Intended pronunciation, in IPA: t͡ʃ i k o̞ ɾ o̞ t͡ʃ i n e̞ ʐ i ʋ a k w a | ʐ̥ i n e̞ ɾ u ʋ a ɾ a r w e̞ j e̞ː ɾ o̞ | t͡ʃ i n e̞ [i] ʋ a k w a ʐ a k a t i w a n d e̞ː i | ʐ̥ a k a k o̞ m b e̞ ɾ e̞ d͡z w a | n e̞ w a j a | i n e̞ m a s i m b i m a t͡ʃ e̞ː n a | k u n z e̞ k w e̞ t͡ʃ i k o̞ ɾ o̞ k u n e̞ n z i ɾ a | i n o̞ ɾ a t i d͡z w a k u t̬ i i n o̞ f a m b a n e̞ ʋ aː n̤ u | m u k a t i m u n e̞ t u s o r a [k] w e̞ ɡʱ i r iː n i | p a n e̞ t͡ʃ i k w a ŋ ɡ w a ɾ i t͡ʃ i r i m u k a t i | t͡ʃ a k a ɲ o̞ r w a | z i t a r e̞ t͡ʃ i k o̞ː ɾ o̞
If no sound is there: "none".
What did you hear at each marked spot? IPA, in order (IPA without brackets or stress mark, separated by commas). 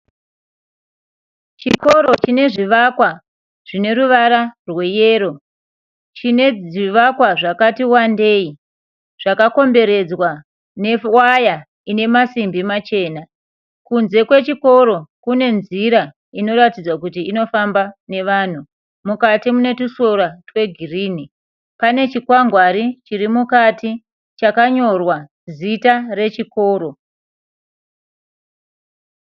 i, t